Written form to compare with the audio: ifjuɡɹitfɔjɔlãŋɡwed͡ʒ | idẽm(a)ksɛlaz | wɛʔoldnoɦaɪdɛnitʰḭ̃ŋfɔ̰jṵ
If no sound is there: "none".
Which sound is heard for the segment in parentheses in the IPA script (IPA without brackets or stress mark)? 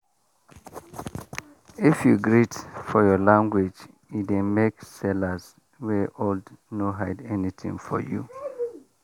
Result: e